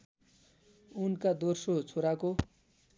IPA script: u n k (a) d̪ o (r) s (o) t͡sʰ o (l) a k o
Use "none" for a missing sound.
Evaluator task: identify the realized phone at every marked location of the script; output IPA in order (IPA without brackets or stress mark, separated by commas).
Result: a, r, o, ɾ